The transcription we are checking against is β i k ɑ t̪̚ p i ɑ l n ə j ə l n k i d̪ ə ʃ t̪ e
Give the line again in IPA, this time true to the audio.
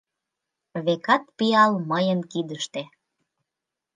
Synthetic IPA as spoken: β e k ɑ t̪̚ p i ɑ l m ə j ə n k i d̪ ə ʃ t̪ e